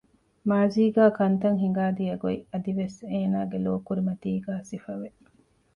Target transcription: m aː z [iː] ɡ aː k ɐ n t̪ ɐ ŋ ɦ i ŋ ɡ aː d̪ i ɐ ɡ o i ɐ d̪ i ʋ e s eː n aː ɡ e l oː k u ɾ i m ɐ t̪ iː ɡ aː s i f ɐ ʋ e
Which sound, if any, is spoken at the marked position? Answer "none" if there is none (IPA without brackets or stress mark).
iː